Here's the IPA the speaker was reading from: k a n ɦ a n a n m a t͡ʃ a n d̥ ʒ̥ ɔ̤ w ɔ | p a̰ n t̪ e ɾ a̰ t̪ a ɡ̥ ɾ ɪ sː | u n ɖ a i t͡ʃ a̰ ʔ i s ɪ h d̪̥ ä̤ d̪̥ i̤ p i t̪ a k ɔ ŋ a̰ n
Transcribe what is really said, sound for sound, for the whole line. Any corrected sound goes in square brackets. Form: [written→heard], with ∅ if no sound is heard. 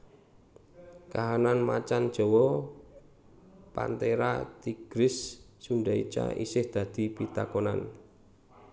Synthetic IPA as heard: k a [n→∅] ɦ a n a n m a t͡ʃ a n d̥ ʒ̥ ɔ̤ w ɔ | p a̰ n t̪ e ɾ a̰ t̪ [a→i] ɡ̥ ɾ ɪ sː | u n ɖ a i t͡ʃ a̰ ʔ i s ɪ h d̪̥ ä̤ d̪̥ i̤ p i t̪ a k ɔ [ŋ→n] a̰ n